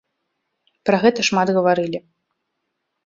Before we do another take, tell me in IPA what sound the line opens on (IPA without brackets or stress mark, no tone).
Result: p